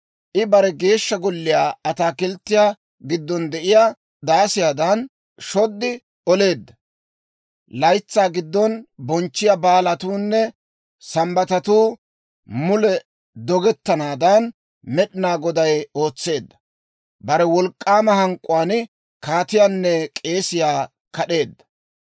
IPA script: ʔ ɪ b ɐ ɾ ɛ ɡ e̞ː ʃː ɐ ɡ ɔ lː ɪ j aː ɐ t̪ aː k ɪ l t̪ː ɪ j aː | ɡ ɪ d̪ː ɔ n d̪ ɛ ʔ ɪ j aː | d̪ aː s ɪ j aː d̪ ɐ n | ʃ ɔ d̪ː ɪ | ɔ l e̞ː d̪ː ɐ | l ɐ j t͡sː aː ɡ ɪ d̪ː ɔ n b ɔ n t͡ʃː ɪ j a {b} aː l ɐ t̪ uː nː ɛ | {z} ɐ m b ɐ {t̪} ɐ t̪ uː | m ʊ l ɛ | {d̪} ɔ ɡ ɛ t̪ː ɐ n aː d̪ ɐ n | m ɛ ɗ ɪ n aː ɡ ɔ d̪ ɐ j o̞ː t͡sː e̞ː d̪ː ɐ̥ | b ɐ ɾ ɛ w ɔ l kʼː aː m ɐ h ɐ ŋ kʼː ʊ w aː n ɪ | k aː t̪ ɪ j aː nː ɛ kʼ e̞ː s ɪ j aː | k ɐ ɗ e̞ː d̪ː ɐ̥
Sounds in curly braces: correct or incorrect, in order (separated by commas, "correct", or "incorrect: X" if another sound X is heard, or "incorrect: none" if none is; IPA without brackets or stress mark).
correct, incorrect: s, correct, correct